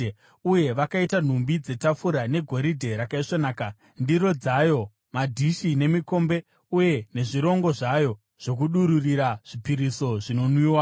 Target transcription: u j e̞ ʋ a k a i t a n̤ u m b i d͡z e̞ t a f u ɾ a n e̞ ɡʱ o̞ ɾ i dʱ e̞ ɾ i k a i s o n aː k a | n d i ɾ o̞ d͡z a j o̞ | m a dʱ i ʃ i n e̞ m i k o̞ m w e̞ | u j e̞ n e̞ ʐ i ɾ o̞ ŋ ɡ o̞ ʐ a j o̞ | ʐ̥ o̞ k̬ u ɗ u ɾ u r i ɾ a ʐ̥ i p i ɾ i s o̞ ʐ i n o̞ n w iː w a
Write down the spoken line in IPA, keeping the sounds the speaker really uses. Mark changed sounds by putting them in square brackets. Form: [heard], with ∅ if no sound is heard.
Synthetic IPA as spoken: u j e̞ ʋ a k a i t a n̤ u m b i d͡z e̞ t a f u ɾ a n e̞ ɡʱ o̞ ɾ i dʱ e̞ ɾ [a] k a i [ʂ] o n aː k a | n d i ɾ o̞ d͡z a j o̞ | m a dʱ i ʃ i n e̞ m i k o̞ m [b] e̞ | u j e̞ n e̞ ʐ i ɾ o̞ ŋ ɡ o̞ ʐ a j o̞ | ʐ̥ o̞ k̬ u ɗ u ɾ u r i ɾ a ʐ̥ i p i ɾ i s o̞ ʐ i n o̞ n w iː w a